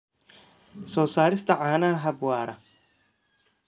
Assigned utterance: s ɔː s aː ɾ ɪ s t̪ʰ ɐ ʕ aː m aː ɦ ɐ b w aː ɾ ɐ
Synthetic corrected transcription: s ɔː s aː ɾ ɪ s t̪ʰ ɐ ʕ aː n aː ɦ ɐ b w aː ɾ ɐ